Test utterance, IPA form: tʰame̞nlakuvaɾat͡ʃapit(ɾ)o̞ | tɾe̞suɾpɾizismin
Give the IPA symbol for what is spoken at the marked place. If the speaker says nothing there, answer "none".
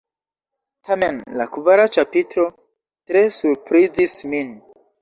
ɾ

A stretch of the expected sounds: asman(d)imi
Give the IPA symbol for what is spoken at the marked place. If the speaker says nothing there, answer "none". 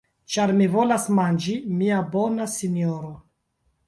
d͡ʒ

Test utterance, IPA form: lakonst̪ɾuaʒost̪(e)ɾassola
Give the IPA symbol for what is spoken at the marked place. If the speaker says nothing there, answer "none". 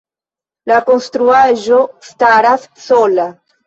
a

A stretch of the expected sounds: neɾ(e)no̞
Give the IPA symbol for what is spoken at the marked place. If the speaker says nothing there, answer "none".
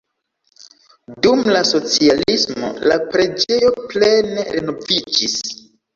e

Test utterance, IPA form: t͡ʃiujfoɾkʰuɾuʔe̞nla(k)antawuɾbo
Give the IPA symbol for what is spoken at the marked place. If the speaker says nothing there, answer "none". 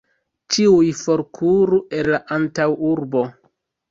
ʔ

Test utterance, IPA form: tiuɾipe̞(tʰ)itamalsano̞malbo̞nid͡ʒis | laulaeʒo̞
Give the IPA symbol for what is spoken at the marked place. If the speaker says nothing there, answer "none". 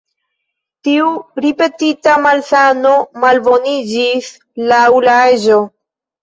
t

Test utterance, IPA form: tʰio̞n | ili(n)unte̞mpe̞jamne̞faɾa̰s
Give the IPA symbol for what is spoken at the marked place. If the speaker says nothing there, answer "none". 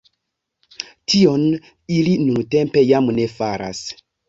n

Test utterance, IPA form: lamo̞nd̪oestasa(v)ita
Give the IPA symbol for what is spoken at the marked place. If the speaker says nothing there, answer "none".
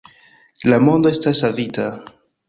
v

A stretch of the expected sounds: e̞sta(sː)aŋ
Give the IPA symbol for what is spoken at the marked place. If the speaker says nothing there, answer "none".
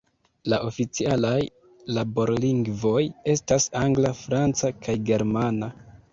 s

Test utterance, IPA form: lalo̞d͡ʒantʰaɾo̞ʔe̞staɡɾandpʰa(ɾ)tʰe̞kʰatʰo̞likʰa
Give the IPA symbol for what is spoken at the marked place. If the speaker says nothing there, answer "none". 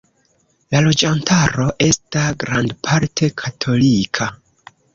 ɾ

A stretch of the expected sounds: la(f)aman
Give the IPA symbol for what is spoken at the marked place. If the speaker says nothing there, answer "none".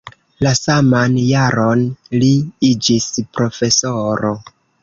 s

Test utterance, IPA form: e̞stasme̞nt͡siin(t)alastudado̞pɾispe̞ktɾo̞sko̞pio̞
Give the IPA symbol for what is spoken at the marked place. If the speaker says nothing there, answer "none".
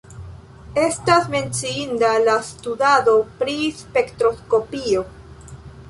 d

